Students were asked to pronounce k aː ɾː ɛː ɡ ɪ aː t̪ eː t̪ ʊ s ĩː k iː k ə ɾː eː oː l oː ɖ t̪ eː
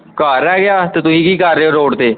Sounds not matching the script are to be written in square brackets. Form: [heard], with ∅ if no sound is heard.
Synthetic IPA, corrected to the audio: k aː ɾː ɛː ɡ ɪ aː t̪ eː t̪ ʊ s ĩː k iː k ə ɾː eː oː [ɾ] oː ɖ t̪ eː